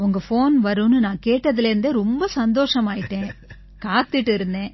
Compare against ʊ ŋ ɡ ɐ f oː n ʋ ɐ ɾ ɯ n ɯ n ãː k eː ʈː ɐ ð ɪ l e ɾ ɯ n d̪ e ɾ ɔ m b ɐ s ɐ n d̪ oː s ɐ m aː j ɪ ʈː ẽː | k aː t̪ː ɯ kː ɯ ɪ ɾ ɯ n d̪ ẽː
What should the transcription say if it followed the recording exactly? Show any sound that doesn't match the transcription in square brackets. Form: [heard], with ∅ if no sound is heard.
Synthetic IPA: ʊ ŋ ɡ ɐ f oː n ʋ ɐ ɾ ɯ n ɯ n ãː k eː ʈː ɐ ð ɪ l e ɾ ɯ n d̪ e ɾ ɔ m b ɐ s ɐ n d̪ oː [ʂ] ɐ m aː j ɪ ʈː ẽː | k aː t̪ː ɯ [ʈː] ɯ ɪ ɾ ɯ n d̪ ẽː